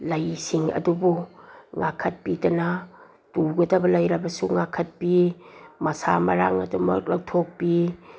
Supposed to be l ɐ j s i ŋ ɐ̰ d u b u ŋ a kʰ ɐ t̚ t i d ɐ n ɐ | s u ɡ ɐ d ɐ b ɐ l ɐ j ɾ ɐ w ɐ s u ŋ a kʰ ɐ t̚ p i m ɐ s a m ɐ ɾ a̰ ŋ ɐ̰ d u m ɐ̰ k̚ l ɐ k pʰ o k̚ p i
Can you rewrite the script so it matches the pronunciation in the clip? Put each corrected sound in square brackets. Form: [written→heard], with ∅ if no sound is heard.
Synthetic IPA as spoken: l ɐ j s i ŋ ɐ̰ d u b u ŋ a kʰ ɐ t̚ [t→p] i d ɐ n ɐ | [s→t] u ɡ ɐ d ɐ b ɐ l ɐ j ɾ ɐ [w→b] ɐ s u ŋ a kʰ ɐ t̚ p i m ɐ s a m ɐ ɾ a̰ ŋ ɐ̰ d u m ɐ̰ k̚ l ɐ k [pʰ→tʰ] o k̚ p i

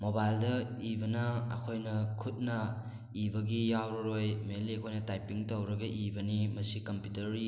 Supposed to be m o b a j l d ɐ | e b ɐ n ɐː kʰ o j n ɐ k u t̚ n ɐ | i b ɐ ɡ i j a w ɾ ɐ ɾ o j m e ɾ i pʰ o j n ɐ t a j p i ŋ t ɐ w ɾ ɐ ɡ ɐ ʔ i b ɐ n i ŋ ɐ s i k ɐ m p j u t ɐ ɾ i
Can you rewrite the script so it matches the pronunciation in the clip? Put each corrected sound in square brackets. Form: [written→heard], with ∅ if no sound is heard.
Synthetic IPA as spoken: m o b a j l d ɐ | [e→i] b ɐ n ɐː kʰ o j n ɐ [k→kʰ] u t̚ n ɐ | i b ɐ ɡ i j a w ɾ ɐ ɾ o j m e [ɾ→l] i [pʰ→kʰ] o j n ɐ t a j p i ŋ t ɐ w ɾ ɐ ɡ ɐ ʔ i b ɐ n i [ŋ→m] ɐ s i k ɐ m p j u t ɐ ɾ i

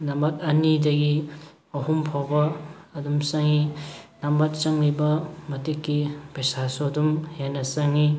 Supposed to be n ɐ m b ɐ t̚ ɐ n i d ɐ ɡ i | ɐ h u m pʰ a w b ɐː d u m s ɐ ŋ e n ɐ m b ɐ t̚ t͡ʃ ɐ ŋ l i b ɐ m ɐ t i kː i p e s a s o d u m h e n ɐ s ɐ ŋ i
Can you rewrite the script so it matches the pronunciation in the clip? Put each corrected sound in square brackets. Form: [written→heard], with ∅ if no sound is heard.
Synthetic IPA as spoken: n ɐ m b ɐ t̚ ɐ n i d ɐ ɡ i | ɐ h u m pʰ a w b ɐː d u m s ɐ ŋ [e→i] n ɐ m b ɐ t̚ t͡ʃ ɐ ŋ l i b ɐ m ɐ t i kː i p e s a s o d u m h e n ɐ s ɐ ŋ i

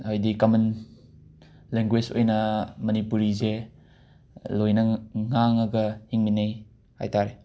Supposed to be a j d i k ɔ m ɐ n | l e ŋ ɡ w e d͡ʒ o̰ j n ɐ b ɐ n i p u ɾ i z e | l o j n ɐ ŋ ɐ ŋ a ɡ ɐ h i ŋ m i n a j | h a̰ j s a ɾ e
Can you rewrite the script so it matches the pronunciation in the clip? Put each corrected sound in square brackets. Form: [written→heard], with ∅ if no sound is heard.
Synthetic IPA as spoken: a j d i k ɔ m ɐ n | l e ŋ ɡ w e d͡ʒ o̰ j n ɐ [b→m] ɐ n i p u ɾ i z e | l o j n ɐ ŋ [ɐ→a] ŋ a ɡ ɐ h i ŋ m i n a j | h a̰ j [s→t] a ɾ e

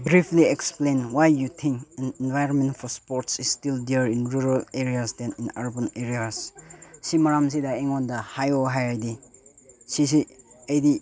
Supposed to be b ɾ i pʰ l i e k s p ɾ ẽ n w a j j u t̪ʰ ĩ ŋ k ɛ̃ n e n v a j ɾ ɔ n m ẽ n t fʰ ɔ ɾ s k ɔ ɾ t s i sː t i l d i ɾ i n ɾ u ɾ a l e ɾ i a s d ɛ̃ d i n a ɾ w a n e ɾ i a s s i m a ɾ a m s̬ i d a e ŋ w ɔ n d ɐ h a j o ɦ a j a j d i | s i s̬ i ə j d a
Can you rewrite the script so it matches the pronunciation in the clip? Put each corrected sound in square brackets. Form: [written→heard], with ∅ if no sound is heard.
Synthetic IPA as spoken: b ɾ i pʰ l i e k s p [ɾ→l] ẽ n w a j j u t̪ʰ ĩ ŋ k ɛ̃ n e n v a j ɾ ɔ n m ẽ n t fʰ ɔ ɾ s [k→p] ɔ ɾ t s i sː t i l d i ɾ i n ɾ u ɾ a l e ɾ i a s d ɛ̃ [d→n] i n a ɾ [w→b] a n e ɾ i a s s i m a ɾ a m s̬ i d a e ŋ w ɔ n d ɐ h a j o ɦ a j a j d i | s i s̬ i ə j d [a→i]

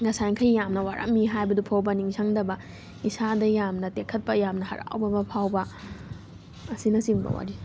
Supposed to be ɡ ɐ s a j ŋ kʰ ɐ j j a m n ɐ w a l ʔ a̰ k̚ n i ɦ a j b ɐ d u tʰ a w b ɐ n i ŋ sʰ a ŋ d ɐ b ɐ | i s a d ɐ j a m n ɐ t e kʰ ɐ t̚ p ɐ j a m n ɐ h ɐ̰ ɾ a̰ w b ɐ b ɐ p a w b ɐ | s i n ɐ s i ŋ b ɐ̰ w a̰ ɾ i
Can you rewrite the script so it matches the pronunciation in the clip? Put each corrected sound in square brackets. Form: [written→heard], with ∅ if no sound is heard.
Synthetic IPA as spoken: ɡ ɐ s a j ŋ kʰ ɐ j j a m n ɐ w a [l→ɾ] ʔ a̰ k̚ [n→m] i ɦ a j b ɐ d u [tʰ→pʰ] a w b ɐ n i ŋ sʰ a ŋ d ɐ b ɐ | i s a d ɐ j a m n ɐ t e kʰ ɐ t̚ p ɐ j a m n ɐ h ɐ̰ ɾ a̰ w b ɐ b ɐ [p→pʰ] a w b ɐ | s i n ɐ s i ŋ b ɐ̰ w a̰ ɾ i

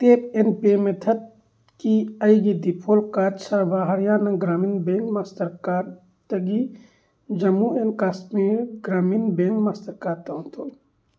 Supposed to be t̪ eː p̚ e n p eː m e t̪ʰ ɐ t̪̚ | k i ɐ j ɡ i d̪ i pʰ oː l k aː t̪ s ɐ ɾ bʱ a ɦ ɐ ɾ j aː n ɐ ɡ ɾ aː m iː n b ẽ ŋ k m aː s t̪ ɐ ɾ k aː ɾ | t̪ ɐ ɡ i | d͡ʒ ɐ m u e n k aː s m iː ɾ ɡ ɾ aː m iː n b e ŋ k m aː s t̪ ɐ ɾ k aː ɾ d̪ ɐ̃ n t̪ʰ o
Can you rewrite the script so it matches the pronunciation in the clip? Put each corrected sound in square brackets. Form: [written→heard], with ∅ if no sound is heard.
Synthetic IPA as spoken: t̪ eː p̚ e n p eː m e t̪ʰ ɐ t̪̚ | k i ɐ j ɡ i d̪ i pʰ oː l k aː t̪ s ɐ ɾ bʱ a ɦ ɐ ɾ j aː n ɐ ɡ ɾ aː m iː n b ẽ ŋ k m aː s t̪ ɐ ɾ k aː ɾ | t̪ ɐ ɡ i | d͡ʒ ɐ m u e n k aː s m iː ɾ ɡ ɾ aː m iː n b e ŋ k m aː s t̪ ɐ ɾ k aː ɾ [d̪→t̪] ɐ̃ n t̪ʰ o

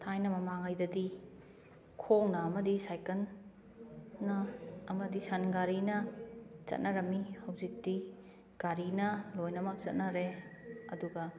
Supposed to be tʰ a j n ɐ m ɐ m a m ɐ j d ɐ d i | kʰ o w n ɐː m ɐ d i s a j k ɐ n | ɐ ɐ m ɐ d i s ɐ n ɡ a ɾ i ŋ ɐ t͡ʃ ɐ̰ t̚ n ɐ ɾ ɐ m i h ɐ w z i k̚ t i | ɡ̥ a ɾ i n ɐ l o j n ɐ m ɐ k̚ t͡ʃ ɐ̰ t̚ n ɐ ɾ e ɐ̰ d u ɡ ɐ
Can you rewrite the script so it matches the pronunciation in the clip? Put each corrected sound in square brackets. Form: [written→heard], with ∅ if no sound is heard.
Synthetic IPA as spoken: tʰ a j n ɐ m ɐ m a [m→ŋ] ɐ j d ɐ d i | kʰ o w n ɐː m ɐ d i s a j k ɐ n | ɐ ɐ m ɐ d i s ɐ n ɡ a ɾ i [ŋ→n] ɐ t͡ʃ ɐ̰ t̚ n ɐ ɾ ɐ m i h ɐ w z i k̚ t i | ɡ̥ a ɾ i n ɐ l o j n ɐ m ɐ k̚ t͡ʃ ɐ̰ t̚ n ɐ ɾ e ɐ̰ d u ɡ ɐ

